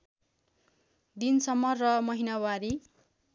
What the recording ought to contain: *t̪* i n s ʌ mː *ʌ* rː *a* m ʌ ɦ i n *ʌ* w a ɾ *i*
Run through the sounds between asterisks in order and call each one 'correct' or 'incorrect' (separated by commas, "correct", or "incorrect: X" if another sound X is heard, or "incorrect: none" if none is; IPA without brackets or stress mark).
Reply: incorrect: d̪, correct, incorrect: ʌ, incorrect: a, correct